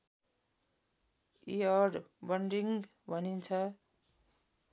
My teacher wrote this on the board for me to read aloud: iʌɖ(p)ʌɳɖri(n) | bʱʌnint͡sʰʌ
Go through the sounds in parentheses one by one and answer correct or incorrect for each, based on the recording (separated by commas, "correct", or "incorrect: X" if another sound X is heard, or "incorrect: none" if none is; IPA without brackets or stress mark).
incorrect: b, incorrect: ŋ